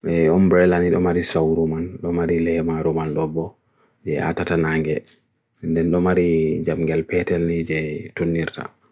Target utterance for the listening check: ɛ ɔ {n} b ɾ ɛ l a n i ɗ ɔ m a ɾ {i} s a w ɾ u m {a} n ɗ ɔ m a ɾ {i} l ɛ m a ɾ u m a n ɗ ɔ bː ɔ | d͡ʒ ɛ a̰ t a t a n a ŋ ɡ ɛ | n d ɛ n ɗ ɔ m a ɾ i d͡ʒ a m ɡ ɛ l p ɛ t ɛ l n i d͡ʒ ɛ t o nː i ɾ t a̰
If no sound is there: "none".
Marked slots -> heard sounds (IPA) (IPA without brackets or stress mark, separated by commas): m, i, a, i